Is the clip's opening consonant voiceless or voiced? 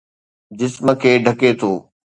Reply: voiced